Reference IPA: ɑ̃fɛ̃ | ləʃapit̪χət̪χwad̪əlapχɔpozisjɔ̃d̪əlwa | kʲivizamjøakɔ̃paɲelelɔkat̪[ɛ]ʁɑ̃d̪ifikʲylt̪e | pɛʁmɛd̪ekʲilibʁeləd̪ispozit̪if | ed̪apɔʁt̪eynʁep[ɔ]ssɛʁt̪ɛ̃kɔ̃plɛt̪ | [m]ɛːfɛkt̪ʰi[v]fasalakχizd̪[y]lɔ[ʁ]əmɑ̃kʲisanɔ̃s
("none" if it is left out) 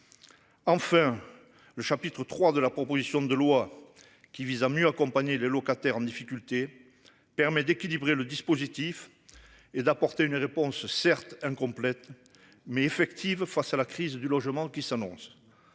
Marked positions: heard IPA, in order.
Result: ɛ, ɔ̃, m, v, y, ʒ

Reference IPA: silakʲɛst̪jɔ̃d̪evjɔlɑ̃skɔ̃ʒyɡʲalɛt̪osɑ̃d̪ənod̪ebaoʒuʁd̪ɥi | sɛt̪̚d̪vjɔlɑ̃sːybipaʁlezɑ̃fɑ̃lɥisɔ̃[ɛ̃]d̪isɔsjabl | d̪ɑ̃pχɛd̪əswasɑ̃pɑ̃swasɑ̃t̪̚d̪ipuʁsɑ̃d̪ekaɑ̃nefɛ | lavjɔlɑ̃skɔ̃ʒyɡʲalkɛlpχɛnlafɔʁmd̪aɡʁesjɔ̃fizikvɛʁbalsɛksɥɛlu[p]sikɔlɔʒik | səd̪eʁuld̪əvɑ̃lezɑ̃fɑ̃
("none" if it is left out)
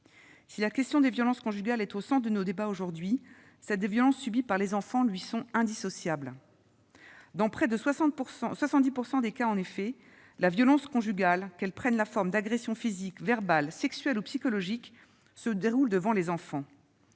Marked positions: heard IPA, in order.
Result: ɛ̃, p

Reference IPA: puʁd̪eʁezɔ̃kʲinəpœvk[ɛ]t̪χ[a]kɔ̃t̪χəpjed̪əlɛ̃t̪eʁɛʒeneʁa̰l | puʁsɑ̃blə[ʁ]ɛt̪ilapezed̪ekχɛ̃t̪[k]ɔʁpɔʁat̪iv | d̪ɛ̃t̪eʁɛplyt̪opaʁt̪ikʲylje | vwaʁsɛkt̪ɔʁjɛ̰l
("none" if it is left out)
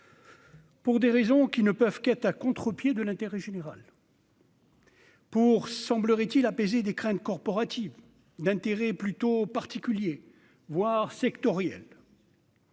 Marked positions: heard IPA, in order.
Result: ɛ, a, ʁ, k

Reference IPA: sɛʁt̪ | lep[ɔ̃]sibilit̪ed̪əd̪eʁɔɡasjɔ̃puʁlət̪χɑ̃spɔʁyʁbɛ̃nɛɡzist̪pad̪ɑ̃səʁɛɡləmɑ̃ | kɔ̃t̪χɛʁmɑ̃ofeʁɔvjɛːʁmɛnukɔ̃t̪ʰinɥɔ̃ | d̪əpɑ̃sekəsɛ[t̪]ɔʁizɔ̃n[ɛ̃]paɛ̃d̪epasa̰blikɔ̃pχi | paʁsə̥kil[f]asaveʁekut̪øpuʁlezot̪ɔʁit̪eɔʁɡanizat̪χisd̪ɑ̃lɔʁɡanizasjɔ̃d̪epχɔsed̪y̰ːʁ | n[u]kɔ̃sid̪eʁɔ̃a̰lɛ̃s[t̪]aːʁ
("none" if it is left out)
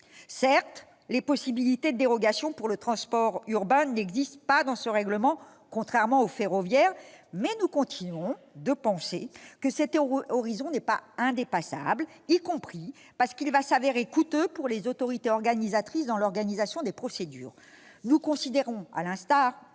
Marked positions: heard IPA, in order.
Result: ɔ, t̪, ɛ, v, u, t̪

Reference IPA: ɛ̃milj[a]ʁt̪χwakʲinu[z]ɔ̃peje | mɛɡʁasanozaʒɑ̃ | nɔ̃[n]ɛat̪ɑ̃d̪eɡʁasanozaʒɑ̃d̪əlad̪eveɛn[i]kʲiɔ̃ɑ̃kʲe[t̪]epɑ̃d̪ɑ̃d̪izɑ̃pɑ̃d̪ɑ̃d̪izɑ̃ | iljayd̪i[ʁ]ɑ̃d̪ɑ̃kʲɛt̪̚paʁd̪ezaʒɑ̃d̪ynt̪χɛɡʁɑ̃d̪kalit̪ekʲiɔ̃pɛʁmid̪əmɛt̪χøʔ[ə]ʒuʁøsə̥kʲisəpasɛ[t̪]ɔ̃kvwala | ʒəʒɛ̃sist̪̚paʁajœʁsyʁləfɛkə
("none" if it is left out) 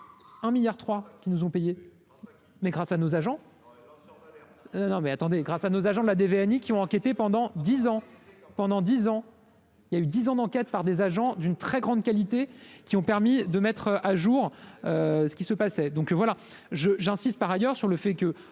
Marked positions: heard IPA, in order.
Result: a, z, m, i, t̪, z, a, d̪

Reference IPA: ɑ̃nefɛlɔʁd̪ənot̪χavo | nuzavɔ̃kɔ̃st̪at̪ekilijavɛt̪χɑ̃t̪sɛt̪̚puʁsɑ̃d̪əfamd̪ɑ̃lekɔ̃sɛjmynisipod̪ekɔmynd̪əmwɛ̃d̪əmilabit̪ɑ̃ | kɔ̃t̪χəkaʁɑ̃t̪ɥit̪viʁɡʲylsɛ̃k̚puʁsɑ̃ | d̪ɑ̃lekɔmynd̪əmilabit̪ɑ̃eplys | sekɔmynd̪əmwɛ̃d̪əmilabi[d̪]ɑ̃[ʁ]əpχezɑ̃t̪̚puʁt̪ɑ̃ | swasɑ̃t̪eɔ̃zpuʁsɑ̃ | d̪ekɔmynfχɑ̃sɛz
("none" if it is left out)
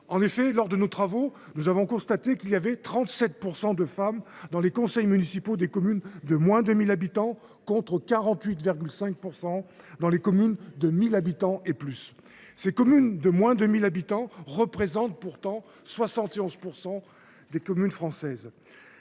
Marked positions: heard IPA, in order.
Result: t̪, ʁ

